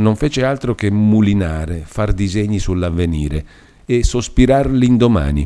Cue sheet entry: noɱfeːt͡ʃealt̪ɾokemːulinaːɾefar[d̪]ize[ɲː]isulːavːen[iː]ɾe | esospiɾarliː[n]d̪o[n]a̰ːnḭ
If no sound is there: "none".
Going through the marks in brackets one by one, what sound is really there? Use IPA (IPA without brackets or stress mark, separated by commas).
d̪, ɲː, iː, n, m